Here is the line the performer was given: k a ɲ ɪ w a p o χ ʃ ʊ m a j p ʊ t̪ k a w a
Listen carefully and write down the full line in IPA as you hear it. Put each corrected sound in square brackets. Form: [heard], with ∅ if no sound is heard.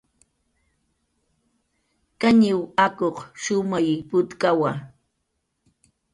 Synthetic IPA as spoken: k a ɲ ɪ w a [k] o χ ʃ ʊ m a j p ʊ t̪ k a w a